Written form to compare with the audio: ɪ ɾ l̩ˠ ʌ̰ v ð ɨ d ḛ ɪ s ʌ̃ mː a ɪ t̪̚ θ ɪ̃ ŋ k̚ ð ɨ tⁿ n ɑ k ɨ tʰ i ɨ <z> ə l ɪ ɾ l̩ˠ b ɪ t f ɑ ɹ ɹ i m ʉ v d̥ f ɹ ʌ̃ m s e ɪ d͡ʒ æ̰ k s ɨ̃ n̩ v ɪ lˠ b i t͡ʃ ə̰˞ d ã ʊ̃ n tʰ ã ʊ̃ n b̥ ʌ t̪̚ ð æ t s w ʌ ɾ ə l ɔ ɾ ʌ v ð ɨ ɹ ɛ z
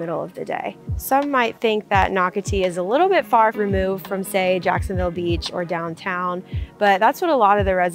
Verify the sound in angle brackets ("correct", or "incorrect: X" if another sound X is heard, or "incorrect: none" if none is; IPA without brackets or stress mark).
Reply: correct